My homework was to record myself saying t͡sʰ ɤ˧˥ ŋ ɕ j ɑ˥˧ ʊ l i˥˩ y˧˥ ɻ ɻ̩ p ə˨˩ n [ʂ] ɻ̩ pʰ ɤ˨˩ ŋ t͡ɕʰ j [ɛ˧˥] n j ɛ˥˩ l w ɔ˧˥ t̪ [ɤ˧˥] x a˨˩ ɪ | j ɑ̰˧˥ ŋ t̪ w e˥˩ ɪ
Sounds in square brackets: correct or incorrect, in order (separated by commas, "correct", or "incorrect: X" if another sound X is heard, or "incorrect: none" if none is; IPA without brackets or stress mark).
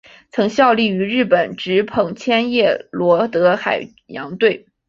incorrect: ʈ͡ʂ, incorrect: ɛ˥, correct